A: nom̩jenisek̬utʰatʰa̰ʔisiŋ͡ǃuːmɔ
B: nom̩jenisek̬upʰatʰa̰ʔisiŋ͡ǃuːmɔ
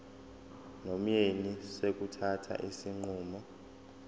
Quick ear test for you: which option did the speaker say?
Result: A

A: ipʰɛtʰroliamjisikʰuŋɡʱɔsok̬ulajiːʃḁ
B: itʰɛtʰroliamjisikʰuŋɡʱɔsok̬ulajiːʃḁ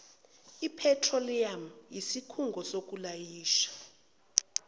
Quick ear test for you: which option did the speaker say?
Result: A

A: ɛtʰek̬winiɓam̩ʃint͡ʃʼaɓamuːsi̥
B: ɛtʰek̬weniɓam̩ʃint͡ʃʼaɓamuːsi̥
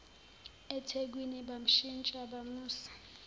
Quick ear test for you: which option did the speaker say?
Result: A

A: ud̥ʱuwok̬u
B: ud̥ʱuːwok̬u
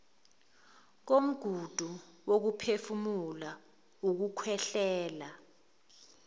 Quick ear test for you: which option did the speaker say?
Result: A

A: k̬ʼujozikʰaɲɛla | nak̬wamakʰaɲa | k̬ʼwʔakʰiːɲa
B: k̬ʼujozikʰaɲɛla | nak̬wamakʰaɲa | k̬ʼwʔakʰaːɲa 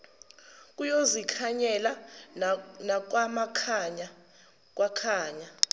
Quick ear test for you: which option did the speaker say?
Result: B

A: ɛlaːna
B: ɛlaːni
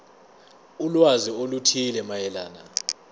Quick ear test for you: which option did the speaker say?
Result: A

